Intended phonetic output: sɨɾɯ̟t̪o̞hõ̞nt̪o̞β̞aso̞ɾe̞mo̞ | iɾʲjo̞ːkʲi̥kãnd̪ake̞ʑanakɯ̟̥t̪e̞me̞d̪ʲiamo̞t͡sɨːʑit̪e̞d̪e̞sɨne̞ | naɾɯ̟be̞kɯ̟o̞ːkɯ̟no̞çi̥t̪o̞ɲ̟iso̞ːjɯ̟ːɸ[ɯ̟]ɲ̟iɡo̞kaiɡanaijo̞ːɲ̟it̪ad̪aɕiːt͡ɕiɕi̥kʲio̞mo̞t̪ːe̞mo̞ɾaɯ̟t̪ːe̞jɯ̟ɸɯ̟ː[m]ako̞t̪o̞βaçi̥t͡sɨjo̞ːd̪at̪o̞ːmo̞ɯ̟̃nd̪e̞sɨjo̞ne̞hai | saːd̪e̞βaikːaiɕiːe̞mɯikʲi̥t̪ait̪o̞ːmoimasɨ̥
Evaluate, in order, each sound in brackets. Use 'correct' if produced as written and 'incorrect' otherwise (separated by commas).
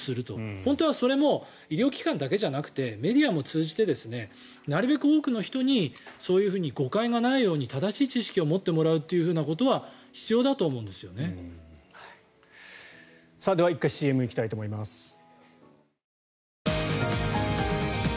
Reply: incorrect, incorrect